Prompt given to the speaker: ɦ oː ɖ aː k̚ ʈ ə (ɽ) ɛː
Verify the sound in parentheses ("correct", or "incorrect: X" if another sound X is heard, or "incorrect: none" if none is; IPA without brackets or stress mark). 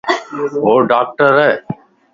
incorrect: ɾ